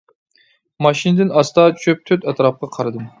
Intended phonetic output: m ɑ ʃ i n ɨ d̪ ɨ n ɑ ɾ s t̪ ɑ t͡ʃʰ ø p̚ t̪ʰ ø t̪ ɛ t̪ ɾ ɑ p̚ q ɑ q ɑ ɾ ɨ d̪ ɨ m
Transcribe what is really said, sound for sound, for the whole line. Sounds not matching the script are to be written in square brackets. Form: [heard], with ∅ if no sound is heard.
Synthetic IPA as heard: m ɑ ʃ i n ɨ d̪ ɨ n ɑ [∅] s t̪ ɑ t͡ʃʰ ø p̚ t̪ʰ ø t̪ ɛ t̪ ɾ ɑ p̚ q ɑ [qʰ] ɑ ɾ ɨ d̪ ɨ m